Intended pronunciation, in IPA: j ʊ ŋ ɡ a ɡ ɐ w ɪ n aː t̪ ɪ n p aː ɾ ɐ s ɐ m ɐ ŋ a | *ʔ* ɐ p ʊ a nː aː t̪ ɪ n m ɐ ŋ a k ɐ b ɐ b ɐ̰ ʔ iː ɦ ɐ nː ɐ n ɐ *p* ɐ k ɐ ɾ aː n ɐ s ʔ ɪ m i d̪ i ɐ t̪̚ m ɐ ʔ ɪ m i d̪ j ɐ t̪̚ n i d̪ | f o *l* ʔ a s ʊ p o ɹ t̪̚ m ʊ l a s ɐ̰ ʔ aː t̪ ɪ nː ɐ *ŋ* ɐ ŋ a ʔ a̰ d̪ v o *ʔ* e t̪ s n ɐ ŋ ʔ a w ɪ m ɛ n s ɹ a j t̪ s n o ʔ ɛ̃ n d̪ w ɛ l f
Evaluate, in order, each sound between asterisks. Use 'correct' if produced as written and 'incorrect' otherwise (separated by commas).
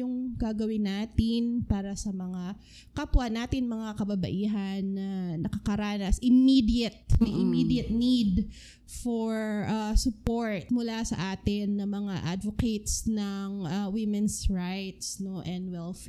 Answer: incorrect, incorrect, incorrect, incorrect, incorrect